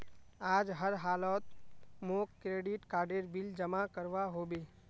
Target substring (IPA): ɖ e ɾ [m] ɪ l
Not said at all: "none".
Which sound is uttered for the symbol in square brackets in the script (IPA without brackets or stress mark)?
b